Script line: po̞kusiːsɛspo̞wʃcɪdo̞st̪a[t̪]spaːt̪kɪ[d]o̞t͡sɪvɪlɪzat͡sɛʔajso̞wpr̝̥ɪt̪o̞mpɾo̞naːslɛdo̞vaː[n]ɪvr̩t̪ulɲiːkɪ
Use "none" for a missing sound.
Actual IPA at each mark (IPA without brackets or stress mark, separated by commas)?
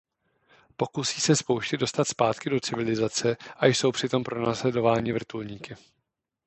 t̪, d, ɲ